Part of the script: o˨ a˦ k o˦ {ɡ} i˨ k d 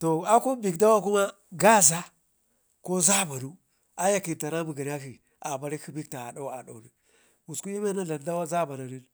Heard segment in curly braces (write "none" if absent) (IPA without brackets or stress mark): b